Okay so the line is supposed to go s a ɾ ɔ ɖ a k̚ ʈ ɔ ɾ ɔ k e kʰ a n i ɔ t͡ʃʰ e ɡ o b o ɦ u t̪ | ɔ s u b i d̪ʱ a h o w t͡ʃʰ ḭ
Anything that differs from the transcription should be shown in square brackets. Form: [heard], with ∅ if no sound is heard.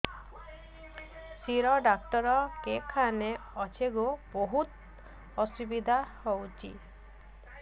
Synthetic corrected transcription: s [i] ɾ ɔ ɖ a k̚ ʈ ɔ ɾ ɔ k e kʰ a n [e] ɔ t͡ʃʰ e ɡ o b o ɦ u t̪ | ɔ s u b i d̪ʱ a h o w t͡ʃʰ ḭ